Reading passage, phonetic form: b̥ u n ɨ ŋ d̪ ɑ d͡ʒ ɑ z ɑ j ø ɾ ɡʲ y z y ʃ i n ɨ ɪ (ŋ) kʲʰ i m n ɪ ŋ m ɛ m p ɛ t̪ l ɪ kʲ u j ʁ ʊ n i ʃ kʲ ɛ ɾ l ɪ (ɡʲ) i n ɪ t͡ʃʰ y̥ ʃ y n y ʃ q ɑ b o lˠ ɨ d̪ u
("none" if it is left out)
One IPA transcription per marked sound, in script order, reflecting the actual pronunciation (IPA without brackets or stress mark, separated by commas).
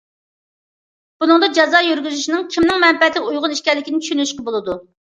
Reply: ŋ, kʲ